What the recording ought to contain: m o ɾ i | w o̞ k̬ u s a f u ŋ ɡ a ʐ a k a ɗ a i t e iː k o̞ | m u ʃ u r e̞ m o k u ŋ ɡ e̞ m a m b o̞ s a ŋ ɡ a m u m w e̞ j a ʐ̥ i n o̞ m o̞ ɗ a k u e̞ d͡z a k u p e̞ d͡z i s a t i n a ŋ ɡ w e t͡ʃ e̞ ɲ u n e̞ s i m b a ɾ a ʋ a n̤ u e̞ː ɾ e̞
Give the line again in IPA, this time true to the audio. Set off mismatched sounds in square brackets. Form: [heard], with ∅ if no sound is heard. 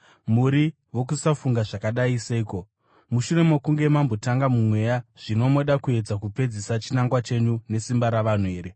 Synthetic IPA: m [u] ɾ i | w o̞ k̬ u s a f u ŋ ɡ a ʐ a k a ɗ a i [s] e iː k o̞ | m u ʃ u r e̞ m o k u ŋ ɡ e̞ m a m b o̞ [t] a ŋ ɡ a m u m w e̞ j a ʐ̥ i n o̞ m o̞ ɗ a k u e̞ d͡z a k u p e̞ d͡z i s a [t͡ʃ] i n a ŋ ɡ w [a] t͡ʃ e̞ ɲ u n e̞ s i m b a ɾ a ʋ a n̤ u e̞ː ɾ e̞